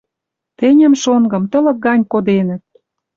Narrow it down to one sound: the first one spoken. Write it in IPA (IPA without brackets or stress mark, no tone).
t̪